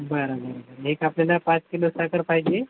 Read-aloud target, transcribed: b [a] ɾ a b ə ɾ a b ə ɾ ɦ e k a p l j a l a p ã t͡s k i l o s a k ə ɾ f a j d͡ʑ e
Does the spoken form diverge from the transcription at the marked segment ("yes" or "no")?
yes